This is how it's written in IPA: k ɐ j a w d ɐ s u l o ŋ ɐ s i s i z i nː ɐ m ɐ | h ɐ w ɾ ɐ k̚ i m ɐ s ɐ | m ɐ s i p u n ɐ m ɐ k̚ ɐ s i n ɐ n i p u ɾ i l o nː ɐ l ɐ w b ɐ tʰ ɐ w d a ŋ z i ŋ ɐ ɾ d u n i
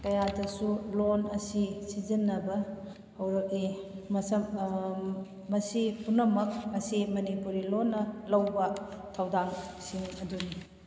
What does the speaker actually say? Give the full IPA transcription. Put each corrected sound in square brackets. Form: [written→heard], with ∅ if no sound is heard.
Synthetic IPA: k ɐ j a [w→∅] d ɐ s u l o [ŋ→n] ɐ s i s i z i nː ɐ [m→b] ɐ | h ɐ w ɾ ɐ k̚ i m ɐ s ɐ | m ɐ s i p u n ɐ m ɐ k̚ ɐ s i [n→m] ɐ n i p u ɾ i l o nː ɐ l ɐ w b ɐ tʰ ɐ w d a ŋ [z→s] i ŋ ɐ [ɾ→∅] d u n i